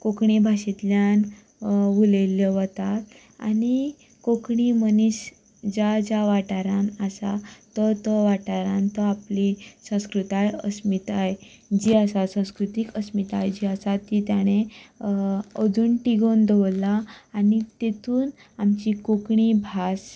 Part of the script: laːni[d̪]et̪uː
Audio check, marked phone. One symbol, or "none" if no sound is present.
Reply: t̪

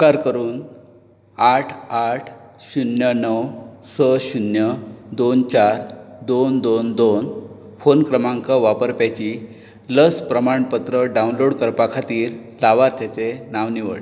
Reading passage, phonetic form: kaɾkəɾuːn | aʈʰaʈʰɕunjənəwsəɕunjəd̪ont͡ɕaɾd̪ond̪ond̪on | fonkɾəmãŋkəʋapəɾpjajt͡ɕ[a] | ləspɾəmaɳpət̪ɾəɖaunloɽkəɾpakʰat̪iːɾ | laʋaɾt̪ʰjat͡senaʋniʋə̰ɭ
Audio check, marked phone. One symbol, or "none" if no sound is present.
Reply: i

